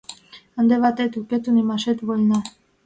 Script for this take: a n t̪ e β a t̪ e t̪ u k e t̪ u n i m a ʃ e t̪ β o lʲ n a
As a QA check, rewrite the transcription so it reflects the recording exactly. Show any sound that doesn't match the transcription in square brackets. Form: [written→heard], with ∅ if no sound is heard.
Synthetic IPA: a n [t̪→d̪] e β a t̪ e t̪ u k e t̪ u n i m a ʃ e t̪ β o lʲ n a